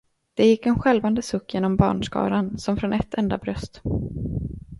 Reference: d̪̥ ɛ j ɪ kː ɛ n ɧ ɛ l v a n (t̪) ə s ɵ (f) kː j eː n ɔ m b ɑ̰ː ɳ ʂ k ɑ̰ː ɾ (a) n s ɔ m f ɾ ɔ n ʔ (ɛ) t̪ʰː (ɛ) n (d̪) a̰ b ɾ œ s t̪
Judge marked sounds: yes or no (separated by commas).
no, no, yes, yes, yes, yes